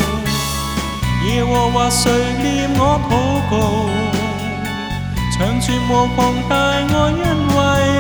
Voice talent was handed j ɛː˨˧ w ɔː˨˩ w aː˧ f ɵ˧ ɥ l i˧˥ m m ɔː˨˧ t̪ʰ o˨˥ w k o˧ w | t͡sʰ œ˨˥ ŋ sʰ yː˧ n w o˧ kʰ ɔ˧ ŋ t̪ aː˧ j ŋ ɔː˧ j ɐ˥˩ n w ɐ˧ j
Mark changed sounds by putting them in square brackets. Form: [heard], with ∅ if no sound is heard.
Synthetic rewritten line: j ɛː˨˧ w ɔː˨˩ w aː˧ [s] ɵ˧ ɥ l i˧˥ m [ŋ] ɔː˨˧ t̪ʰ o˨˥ w k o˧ w | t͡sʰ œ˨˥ ŋ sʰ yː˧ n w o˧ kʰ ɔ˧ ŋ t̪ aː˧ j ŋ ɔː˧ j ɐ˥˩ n w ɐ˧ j